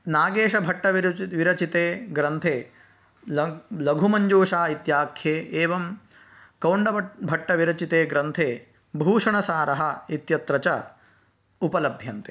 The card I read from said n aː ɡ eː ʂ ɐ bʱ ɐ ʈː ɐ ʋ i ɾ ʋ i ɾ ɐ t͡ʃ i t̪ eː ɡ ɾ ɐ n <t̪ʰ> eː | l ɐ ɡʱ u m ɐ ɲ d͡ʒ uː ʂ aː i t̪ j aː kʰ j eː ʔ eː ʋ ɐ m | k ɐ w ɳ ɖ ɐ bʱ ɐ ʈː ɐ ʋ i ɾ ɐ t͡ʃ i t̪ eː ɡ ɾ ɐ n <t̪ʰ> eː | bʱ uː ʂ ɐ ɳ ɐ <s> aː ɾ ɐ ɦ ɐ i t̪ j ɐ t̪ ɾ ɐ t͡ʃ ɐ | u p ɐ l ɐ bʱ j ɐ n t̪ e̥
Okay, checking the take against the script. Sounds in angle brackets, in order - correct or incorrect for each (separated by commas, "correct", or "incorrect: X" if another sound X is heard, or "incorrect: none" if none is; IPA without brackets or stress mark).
correct, correct, correct